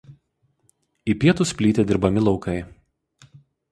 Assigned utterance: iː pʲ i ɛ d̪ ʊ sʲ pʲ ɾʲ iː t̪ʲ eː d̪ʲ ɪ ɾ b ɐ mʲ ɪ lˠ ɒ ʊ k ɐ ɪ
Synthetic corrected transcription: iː pʲ i ɛ t̪ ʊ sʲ pʲ lʲ iː t̪ʲ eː d̪ʲ ɪ ɾ b ɐ mʲ ɪ lˠ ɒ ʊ k ɐ ɪ

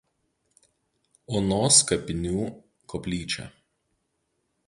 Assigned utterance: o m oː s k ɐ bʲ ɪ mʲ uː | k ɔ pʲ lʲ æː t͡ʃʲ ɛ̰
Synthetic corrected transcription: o n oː s k ɐ pʲ ɪ nʲ uː | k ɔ pʲ lʲ iː t͡ʃʲ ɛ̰

